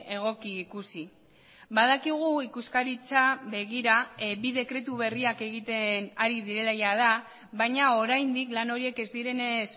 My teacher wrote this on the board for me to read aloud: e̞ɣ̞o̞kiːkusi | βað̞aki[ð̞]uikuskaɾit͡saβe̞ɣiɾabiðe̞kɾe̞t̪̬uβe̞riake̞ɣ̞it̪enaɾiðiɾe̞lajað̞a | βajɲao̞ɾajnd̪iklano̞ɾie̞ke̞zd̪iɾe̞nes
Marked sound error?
yes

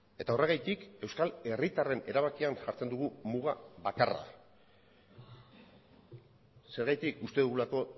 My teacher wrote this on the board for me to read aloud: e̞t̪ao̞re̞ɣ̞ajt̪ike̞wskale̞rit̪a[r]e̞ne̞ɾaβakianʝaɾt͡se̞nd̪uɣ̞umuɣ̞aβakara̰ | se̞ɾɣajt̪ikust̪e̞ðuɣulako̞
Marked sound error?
no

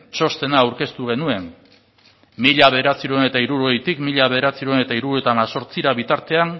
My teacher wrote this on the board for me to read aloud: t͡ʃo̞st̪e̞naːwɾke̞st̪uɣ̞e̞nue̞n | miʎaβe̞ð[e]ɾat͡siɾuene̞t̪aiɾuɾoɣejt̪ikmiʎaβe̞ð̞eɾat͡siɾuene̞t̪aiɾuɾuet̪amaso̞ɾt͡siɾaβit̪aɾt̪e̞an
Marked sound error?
no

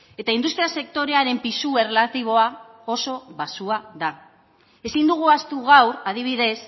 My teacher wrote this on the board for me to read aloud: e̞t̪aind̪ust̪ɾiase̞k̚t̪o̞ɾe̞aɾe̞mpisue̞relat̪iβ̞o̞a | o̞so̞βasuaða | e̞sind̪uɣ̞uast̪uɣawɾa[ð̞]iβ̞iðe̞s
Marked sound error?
no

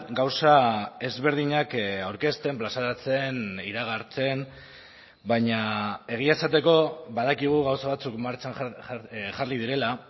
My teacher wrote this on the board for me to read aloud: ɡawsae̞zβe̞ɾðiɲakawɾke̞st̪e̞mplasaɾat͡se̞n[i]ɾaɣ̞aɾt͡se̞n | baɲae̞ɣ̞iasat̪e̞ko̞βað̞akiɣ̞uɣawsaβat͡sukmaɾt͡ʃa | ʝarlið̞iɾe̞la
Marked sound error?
no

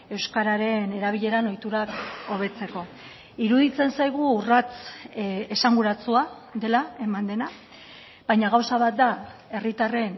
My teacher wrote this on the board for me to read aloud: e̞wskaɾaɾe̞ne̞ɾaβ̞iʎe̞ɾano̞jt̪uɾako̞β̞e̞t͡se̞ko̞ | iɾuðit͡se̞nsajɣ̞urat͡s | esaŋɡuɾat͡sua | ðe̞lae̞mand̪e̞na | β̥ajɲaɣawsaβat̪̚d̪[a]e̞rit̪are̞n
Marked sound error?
no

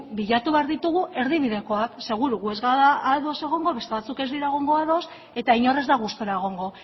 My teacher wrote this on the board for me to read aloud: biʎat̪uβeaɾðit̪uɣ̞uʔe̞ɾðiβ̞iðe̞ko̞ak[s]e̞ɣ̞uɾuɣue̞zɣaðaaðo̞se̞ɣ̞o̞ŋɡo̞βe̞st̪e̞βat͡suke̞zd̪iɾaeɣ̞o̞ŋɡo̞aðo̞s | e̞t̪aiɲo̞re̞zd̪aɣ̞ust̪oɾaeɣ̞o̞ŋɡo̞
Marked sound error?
no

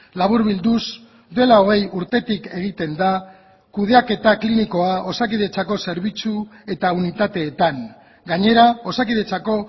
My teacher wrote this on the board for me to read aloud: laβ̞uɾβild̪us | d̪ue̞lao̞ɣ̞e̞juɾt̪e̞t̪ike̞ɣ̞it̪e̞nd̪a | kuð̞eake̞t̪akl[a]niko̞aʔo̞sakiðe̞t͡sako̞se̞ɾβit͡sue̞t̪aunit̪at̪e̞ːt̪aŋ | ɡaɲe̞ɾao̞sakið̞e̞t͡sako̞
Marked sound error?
yes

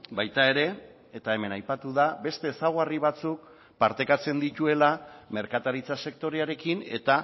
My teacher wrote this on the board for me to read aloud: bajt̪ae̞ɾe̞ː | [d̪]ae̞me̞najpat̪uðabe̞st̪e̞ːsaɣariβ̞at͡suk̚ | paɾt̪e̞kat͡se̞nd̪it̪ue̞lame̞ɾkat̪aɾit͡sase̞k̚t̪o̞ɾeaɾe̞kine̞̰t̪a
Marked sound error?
yes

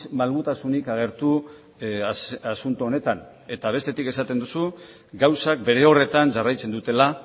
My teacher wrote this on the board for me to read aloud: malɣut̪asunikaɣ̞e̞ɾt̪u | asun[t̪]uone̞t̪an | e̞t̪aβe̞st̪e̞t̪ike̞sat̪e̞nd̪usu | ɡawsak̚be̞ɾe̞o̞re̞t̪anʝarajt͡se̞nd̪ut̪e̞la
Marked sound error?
no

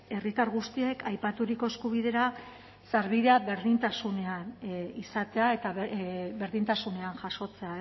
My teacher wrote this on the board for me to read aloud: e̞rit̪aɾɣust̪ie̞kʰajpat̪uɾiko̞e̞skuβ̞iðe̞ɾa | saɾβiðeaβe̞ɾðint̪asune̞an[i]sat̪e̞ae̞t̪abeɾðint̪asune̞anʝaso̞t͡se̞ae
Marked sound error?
no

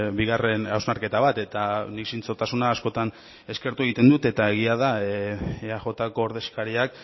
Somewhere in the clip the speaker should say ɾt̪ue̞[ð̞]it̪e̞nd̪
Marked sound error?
yes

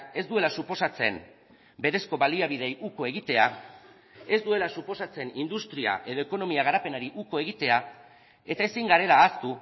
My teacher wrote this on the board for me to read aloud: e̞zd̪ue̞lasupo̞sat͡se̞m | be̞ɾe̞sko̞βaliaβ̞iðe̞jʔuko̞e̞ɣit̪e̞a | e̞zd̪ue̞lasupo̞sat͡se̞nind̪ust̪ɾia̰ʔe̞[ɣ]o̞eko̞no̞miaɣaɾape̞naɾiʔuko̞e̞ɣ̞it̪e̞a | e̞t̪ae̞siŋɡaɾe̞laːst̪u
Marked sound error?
yes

